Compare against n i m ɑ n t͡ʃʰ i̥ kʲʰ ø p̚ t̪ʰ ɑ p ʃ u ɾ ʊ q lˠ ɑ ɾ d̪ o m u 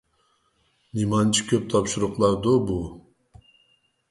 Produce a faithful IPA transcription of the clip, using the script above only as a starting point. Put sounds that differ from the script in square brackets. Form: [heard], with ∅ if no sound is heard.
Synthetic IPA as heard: n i m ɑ n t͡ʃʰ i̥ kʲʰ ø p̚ t̪ʰ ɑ p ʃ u ɾ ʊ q lˠ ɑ ɾ d̪ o [b] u